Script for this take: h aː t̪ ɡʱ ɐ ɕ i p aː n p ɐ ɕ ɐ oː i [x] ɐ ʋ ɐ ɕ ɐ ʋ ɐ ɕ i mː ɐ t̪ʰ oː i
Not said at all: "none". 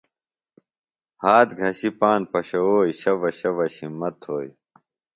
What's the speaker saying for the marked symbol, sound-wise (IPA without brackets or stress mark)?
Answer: ɕ